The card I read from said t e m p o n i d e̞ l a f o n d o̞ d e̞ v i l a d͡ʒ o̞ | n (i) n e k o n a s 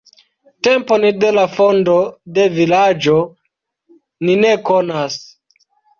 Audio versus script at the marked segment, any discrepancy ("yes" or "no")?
no